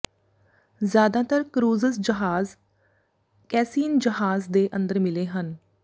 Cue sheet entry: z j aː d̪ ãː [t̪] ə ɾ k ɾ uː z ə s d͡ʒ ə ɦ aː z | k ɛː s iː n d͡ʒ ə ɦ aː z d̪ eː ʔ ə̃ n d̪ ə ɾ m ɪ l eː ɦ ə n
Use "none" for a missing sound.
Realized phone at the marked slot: t̪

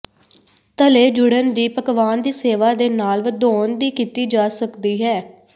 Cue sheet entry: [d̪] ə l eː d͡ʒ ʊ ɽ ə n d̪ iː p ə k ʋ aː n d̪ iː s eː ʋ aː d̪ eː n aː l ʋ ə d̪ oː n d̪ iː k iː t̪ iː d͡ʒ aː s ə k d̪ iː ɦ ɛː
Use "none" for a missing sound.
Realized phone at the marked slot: t̪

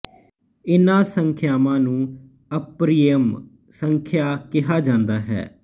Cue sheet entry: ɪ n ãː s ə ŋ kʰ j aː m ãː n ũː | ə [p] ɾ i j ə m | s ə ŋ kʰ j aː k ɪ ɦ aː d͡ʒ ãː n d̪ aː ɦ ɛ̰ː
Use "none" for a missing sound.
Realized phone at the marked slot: p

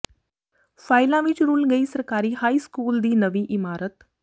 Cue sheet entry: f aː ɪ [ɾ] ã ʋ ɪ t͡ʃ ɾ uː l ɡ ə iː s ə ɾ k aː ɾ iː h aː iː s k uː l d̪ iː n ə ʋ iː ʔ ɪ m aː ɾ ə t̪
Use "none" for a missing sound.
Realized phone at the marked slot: l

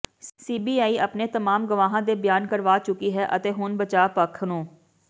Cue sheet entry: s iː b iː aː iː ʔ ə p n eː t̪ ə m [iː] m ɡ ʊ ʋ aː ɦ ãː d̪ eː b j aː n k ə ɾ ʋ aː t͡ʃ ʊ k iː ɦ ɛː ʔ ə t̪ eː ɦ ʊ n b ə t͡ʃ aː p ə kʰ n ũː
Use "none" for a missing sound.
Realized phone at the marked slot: aː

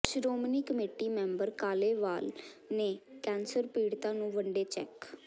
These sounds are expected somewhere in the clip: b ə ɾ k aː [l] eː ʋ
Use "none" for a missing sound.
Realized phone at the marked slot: l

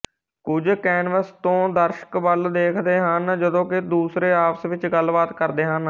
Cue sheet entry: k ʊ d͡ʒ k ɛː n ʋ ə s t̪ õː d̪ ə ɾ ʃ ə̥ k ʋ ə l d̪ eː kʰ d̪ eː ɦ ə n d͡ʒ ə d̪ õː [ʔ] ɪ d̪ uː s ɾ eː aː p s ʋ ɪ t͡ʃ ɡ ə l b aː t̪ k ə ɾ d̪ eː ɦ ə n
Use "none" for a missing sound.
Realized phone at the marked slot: k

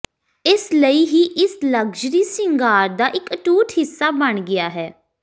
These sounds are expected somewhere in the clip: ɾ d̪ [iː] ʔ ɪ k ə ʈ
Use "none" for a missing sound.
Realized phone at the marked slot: aː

